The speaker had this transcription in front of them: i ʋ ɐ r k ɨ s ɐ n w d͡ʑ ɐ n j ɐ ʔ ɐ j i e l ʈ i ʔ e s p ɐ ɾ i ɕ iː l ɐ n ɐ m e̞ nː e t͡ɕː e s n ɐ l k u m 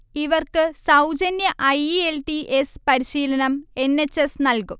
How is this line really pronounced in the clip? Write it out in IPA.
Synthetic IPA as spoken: i ʋ ɐ r k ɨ s ɐ w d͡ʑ ɐ n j ɐ ʔ ɐ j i e l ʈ i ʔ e s p ɐ ɾ i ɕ iː l ɐ n ɐ m e̞ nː e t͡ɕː e s n ɐ l k u m